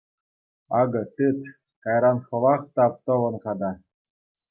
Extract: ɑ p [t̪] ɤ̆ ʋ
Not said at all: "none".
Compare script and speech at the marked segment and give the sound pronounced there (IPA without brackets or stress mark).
t̪